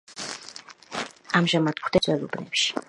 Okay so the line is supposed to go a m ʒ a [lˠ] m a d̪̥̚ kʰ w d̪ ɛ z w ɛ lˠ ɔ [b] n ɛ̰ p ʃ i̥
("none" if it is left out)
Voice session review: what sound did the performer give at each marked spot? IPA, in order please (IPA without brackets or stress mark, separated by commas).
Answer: none, b